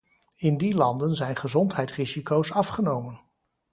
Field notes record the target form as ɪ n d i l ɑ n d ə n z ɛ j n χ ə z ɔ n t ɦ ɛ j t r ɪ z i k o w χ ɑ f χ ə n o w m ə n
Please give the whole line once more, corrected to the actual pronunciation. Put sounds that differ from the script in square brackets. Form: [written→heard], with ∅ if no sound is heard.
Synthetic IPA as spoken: ɪ n d i l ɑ n d ə n z ɛ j n χ ə z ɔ n t ɦ ɛ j t r [ɪ→i] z i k o w [χ→s] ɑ f χ ə n o w m ə n